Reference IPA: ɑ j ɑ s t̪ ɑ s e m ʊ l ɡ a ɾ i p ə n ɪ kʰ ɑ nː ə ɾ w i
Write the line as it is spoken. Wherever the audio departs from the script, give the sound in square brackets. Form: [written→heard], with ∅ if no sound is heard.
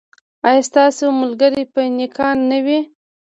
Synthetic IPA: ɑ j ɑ s t̪ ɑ s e m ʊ l ɡ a ɾ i p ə n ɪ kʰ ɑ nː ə [ɾ→∅] w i